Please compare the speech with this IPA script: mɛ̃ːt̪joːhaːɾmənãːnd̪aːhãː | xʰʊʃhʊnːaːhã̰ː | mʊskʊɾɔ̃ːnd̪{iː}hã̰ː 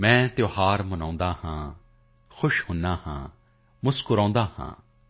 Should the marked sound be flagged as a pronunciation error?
yes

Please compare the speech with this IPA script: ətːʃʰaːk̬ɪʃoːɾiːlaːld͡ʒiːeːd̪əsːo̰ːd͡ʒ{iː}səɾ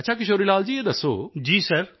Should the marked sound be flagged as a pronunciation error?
no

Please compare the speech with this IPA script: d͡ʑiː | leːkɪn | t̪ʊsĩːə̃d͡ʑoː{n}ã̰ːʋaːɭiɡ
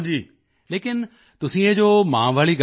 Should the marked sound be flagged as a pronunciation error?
yes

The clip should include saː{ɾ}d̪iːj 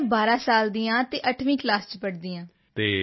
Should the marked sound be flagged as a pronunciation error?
yes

